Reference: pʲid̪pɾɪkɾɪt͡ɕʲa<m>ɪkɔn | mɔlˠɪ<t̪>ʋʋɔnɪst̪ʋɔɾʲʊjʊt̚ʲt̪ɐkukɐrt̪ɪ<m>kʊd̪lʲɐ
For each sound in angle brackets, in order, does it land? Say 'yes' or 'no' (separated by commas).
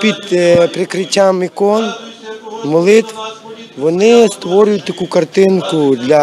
yes, yes, no